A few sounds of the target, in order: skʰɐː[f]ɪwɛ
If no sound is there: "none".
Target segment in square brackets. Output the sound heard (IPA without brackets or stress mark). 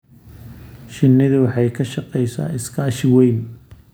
ʃ